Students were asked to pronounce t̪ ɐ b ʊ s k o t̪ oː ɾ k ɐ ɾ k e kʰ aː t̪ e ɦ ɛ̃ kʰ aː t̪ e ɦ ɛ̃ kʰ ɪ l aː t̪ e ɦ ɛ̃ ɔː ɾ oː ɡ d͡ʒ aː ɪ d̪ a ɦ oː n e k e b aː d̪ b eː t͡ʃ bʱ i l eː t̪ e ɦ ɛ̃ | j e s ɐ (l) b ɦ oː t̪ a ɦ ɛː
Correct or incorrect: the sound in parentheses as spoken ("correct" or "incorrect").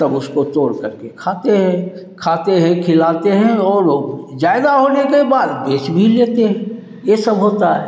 incorrect